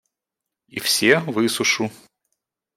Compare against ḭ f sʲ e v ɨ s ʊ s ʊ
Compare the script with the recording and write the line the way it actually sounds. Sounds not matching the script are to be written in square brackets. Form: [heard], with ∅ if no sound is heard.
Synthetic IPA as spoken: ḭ f sʲ e v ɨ s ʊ [ʂ] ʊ